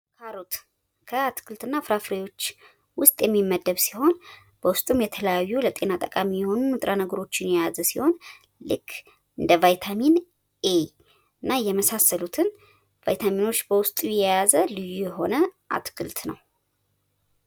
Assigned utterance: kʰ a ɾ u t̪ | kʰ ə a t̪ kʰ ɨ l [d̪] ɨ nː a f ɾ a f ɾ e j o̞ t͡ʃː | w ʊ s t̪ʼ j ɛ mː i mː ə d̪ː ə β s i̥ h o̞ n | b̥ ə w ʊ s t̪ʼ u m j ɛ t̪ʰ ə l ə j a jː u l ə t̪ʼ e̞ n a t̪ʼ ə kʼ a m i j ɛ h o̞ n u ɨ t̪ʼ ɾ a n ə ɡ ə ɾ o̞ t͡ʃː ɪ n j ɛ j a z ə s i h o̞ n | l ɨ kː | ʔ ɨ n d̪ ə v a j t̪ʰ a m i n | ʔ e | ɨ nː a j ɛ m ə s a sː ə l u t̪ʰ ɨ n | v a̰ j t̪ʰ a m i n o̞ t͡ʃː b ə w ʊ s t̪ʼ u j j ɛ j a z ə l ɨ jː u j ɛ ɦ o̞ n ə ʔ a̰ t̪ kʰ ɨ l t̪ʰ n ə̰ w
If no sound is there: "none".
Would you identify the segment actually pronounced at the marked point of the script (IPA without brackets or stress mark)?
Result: t̪